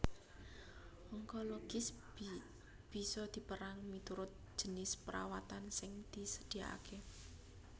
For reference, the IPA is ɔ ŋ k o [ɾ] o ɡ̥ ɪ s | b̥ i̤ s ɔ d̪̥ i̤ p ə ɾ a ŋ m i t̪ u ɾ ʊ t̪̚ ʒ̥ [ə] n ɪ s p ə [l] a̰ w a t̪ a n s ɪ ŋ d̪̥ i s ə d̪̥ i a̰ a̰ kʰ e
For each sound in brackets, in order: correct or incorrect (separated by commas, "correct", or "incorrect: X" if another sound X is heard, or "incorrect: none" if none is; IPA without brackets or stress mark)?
incorrect: l, correct, incorrect: ɾ